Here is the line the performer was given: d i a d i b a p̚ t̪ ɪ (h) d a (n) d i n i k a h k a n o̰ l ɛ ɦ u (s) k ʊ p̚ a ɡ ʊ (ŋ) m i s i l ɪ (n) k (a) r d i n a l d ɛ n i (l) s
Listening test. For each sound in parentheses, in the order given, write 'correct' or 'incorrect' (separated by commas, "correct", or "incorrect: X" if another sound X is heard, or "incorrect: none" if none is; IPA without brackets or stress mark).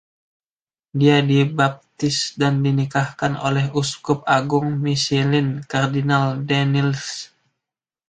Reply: incorrect: s, correct, correct, correct, correct, correct, correct